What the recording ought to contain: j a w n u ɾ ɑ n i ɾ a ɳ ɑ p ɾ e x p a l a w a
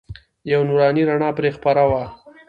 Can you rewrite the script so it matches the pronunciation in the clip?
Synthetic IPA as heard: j a w n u ɾ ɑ n i ɾ a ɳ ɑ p ɾ e x p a ɾ a w a